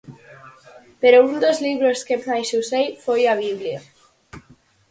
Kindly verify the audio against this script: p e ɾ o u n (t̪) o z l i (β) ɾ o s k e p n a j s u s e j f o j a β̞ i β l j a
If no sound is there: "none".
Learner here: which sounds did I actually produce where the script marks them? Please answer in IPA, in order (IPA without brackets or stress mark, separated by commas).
d̪, β